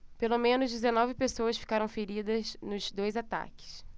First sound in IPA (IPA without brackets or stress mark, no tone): p